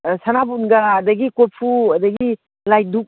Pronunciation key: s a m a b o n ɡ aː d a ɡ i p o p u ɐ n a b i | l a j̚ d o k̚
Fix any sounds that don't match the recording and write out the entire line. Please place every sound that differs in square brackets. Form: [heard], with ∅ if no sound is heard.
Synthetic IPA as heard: s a [n] a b [u] n ɡ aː d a ɡ i [k] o [pʰ] u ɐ [d] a [ɡ] i | l a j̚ d [u] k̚